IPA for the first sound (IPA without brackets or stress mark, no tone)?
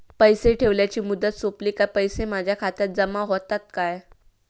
p